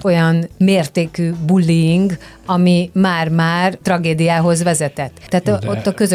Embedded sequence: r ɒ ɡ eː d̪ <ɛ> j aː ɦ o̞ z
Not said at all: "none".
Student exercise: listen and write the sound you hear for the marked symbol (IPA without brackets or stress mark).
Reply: i